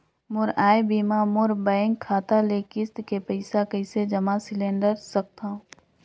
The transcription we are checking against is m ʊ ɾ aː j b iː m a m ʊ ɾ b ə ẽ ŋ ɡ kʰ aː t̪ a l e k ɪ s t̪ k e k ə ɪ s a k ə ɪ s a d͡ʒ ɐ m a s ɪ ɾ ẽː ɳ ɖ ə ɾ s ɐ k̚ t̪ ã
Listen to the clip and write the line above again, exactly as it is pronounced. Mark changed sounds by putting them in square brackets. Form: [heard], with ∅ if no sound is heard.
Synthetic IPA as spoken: m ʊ ɾ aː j b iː m a m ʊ ɾ b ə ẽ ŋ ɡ kʰ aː t̪ a l e k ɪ s t̪ k e [p] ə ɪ s a k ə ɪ s [e] d͡ʒ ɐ m a s ɪ [l] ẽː ɳ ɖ ə ɾ s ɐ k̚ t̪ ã